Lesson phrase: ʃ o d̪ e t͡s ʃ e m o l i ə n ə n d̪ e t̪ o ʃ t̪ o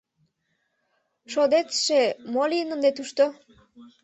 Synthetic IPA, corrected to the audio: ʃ o d̪ e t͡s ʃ e m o l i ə n ə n d̪ e t̪ u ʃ t̪ o